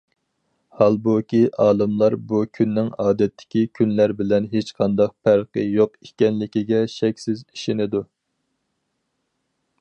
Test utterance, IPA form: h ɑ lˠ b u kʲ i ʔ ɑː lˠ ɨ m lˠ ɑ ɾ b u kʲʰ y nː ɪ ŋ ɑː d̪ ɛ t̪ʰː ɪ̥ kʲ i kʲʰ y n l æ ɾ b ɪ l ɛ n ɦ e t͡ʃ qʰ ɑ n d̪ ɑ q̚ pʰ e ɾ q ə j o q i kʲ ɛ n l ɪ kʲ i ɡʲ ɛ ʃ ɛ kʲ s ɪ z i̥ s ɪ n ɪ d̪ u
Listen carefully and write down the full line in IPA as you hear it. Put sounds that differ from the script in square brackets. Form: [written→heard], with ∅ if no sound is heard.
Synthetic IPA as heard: h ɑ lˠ b u kʲ i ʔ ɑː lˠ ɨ m lˠ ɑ ɾ b u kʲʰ y nː ɪ ŋ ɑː d̪ ɛ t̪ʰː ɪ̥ kʲ i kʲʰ y n l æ ɾ b ɪ l ɛ n ɦ e t͡ʃ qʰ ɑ n d̪ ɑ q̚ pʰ [e→æ] ɾ q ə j o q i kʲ ɛ n l ɪ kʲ i ɡʲ ɛ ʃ ɛ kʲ s ɪ z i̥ [s→ʃ] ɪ n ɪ d̪ u